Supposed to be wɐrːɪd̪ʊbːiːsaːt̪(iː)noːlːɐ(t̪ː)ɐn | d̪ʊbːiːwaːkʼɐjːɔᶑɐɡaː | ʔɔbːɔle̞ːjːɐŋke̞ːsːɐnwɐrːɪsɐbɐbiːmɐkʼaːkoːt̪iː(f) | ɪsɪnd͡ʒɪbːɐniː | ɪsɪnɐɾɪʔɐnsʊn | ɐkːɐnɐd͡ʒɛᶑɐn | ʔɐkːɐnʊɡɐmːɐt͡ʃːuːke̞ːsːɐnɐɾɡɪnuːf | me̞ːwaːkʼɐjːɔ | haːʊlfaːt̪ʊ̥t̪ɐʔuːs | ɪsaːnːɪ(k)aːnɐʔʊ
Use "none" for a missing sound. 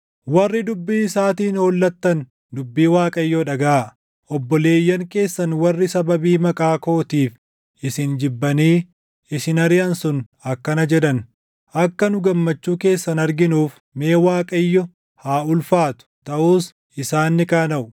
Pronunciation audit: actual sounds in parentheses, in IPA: iː, t̪ː, f, k

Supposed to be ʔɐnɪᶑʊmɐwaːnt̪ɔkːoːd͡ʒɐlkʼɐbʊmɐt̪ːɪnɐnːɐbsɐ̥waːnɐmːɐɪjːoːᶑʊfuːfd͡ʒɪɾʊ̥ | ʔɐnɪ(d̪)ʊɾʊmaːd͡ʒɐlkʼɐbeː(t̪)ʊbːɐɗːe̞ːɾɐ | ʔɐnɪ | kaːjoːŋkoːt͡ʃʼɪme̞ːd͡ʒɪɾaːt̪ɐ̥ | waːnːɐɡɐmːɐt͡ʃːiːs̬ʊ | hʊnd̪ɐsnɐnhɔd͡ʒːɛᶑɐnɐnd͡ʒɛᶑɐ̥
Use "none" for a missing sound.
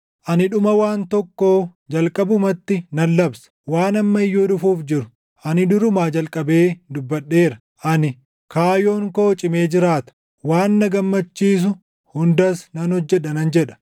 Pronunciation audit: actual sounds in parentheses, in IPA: d̪, d̪

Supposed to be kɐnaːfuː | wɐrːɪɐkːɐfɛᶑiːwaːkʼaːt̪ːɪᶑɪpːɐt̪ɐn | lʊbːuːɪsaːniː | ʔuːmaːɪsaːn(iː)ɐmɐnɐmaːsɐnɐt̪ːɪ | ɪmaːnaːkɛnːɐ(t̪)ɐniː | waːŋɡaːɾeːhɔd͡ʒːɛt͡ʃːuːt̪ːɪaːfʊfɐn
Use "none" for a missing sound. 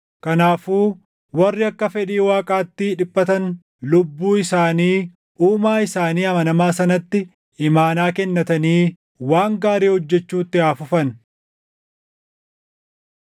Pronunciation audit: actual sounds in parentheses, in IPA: iː, t̪

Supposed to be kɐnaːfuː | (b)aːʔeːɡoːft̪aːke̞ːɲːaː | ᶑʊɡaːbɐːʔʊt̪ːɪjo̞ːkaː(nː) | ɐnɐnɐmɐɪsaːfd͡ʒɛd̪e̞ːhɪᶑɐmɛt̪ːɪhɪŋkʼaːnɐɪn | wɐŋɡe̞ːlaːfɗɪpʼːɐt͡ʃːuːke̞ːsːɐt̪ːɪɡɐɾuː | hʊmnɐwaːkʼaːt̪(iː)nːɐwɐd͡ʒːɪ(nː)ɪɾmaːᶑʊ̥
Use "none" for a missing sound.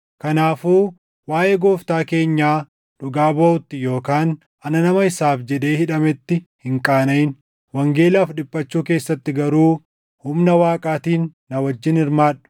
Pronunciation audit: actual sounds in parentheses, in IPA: w, n, iː, n

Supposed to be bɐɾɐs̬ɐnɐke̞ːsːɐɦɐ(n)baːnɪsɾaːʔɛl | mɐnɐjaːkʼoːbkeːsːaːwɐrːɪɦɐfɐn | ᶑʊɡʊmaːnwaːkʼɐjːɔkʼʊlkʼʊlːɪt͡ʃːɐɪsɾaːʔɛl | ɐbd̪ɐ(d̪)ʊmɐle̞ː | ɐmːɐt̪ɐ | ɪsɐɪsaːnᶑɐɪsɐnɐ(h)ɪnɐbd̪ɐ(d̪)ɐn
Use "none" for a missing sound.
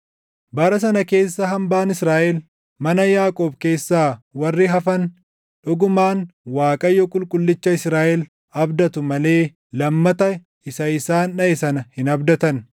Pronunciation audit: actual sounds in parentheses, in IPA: m, t̪, h, t̪

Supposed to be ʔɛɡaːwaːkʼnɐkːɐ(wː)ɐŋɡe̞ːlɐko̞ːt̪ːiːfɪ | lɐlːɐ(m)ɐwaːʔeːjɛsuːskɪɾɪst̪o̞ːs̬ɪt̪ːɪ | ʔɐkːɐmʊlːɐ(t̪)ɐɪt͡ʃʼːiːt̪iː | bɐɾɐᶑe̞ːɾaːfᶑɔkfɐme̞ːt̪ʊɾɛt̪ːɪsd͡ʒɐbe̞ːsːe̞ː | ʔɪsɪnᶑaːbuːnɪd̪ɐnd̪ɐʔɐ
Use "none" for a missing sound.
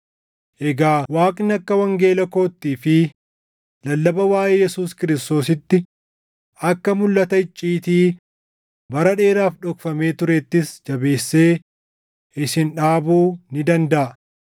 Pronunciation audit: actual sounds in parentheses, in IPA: w, b, t̪

